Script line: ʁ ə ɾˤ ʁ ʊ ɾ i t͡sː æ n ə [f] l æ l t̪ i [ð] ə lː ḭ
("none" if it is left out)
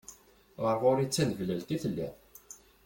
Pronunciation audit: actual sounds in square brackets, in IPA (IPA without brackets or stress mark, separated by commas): v, θ